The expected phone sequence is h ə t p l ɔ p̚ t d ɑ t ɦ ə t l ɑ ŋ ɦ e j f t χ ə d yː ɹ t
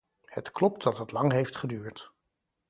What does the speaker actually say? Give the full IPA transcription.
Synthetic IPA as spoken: h ə t k l ɔ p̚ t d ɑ t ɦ ə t l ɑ ŋ ɦ e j f t χ ə d yː ɹ t